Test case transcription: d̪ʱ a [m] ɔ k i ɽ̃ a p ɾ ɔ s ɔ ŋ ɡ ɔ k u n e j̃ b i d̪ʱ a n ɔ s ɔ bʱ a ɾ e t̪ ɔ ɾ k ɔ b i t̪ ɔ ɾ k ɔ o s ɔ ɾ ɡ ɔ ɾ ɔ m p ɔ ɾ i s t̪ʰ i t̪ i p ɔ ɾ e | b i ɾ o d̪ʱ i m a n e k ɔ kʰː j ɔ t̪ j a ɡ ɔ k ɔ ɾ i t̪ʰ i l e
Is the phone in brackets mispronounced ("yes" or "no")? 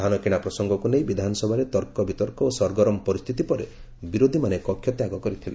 yes